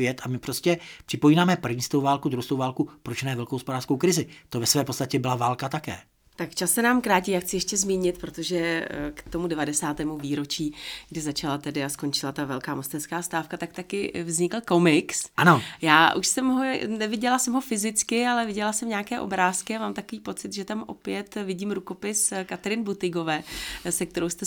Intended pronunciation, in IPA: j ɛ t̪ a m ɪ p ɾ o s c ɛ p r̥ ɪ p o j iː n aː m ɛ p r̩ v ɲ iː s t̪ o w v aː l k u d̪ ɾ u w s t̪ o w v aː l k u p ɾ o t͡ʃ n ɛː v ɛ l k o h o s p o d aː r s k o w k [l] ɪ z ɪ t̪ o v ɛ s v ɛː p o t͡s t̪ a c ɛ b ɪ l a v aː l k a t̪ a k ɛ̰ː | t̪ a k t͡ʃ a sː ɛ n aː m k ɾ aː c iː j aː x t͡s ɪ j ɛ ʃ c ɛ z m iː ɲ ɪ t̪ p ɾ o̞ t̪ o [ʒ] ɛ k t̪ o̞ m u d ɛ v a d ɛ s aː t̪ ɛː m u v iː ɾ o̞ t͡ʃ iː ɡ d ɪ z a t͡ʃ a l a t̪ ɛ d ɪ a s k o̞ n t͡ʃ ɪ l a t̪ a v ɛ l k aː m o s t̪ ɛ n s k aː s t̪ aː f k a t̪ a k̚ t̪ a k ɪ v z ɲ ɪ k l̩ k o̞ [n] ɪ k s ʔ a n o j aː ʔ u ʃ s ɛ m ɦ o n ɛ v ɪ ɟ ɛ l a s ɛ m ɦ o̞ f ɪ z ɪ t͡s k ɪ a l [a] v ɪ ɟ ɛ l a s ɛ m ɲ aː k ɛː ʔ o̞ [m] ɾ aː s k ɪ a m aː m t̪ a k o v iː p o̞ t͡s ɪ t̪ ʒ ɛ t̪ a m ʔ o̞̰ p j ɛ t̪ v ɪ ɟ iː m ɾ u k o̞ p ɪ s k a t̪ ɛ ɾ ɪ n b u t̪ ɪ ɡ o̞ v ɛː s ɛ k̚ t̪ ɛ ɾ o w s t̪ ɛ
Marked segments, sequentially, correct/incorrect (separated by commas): incorrect, correct, incorrect, incorrect, incorrect